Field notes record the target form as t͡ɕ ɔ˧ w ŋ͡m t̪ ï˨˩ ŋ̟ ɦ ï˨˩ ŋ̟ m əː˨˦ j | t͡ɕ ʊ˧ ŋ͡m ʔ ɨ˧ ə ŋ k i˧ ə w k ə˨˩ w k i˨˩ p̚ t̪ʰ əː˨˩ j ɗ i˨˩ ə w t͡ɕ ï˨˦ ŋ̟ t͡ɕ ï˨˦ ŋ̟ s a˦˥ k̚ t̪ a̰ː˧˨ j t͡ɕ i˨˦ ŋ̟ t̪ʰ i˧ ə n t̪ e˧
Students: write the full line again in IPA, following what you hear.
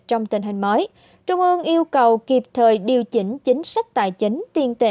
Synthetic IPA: t͡ɕ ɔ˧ w ŋ͡m t̪ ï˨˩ ŋ̟ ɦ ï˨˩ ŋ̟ m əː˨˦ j | t͡ɕ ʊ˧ ŋ͡m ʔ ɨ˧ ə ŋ ʔ i˧ ə w k ə˨˩ w k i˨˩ p̚ t̪ʰ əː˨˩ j ɗ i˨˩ ə w t͡ɕ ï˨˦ ŋ̟ t͡ɕ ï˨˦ ŋ̟ s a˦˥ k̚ t̪ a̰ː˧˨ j t͡ɕ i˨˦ ŋ̟ t̪ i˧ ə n t̪ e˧

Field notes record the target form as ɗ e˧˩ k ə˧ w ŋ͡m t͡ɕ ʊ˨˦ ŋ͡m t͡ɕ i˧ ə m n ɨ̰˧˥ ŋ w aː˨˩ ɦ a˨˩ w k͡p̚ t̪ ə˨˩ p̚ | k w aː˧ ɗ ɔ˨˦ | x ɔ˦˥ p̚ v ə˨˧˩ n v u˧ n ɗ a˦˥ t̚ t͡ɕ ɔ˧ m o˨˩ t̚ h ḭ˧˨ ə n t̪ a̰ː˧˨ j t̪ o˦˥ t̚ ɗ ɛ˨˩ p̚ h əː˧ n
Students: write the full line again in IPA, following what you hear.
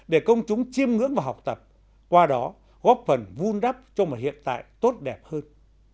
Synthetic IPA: ɗ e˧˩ k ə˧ w ŋ͡m t͡ɕ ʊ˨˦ ŋ͡m t͡ɕ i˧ ə m ŋ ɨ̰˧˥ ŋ v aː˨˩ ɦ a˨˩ w k͡p̚ t̪ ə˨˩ p̚ | k w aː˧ ɗ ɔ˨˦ | ɣ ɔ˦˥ p̚ f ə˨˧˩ n v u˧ n ɗ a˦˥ p̚ t͡ɕ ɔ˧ m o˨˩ t̚ h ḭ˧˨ ə n t̪ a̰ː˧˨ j t̪ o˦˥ t̚ ɗ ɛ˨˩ p̚ h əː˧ n

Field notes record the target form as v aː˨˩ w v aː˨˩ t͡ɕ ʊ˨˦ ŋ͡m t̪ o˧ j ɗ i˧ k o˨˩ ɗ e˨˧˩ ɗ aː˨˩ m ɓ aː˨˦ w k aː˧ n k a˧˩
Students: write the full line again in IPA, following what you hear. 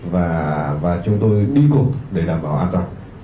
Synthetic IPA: v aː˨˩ v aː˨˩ t͡ɕ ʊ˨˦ ŋ͡m t̪ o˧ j ɗ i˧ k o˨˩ ɗ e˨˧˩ ɗ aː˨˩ m ɓ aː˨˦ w ʔ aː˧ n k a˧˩

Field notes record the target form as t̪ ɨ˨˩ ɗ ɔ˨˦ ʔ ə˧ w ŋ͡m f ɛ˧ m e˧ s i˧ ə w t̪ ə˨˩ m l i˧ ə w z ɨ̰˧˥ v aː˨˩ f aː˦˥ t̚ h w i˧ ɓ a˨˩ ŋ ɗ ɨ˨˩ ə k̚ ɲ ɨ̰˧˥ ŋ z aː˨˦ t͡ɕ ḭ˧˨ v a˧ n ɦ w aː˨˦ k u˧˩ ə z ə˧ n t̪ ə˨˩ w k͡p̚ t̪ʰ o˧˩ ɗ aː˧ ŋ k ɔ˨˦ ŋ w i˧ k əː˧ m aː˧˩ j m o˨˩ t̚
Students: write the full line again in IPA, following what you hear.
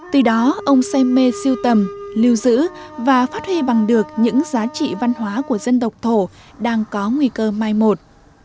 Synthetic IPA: t̪ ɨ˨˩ ɗ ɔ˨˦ ʔ ə˧ w ŋ͡m s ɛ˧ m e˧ s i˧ ə w t̪ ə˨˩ m l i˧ ə w z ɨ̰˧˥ v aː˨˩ f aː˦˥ t̚ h w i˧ ɓ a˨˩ ŋ ɗ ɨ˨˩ ə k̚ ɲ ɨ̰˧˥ ŋ z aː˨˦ t͡ɕ ḭ˧˨ v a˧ n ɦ w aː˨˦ k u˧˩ ə z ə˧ n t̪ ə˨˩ w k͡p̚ t̪ʰ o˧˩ ɗ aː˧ ŋ k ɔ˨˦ ŋ w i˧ k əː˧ m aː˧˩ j m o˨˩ t̚

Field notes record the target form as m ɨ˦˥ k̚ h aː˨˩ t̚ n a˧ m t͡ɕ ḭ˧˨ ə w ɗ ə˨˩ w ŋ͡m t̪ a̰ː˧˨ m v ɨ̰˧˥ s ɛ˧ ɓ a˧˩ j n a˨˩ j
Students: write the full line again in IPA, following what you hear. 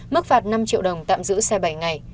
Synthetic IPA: m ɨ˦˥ k̚ f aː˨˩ t̚ n a˧ m t͡ɕ ḭ˧˨ ə w ɗ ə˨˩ w ŋ͡m t̪ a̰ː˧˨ m z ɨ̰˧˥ s ɛ˧ ɓ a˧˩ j ŋ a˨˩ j

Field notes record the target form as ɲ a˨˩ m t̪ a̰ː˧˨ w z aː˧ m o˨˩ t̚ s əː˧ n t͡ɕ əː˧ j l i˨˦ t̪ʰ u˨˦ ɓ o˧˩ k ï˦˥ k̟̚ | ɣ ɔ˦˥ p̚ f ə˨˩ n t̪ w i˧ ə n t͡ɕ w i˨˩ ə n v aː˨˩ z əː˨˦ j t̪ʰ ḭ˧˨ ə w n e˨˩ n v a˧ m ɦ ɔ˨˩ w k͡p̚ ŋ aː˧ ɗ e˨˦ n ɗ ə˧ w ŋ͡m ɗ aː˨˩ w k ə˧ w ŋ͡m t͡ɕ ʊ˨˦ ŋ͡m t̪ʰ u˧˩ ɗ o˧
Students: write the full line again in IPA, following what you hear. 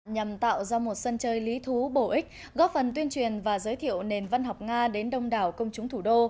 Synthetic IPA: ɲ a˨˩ m t̪ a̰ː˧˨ w z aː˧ m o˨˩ t̚ s ə˧ n t͡ɕ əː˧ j l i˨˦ t̪ʰ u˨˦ ɓ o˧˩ ʔ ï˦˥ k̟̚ | ɣ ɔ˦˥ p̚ f ə˨˩ n t̪ w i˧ ə n t͡ɕ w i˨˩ ə n v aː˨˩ z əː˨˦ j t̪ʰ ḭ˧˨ ə w n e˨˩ n v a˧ n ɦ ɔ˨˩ w k͡p̚ ŋ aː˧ ɗ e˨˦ n ɗ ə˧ w ŋ͡m ɗ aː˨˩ w k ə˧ w ŋ͡m t͡ɕ ʊ˨˦ ŋ͡m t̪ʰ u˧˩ ɗ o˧

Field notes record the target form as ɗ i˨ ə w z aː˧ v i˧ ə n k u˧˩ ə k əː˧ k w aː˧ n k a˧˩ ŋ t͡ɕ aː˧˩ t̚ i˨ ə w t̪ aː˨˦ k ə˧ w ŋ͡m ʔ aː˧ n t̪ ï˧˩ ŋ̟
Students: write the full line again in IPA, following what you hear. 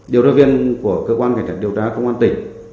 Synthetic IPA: ɗ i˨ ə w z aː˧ v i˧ ə n k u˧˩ ə k əː˧ k w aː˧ n k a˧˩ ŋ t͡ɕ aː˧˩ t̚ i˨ ə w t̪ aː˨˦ k ə˧ w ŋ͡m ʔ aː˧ n t̪ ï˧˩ ŋ̟

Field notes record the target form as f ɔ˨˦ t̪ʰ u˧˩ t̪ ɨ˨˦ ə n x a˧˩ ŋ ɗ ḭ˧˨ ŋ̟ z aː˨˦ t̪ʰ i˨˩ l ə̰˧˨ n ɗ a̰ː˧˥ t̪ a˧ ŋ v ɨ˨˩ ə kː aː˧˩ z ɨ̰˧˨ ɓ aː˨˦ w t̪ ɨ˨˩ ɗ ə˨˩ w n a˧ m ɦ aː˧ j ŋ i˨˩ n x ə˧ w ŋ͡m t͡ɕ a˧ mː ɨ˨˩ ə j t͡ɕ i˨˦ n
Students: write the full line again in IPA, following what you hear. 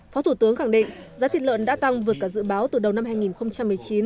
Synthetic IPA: f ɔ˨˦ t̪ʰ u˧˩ t̪ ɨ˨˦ ə ŋ x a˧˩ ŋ ɗ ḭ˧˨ ŋ̟ z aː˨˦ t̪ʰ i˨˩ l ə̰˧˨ n ɗ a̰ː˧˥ t̪ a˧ ŋ v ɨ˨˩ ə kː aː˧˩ z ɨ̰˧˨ ɓ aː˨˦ w t̪ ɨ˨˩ ɗ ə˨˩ w n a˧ m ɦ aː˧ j ŋ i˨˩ n x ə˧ w ŋ͡m t͡ɕ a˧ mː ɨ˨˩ ə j t͡ɕ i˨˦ n

